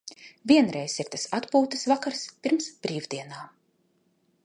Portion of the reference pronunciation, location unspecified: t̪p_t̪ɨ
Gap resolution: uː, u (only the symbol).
uː